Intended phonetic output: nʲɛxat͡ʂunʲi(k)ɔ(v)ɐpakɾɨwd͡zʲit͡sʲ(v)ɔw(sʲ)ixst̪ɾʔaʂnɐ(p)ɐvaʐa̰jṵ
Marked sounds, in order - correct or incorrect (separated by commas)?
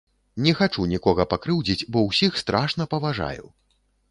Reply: correct, incorrect, incorrect, correct, correct